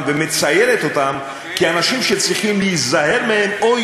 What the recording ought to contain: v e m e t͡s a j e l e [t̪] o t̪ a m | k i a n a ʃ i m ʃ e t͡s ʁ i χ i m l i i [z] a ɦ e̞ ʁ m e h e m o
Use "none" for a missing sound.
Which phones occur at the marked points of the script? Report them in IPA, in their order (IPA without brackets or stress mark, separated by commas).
t̪, z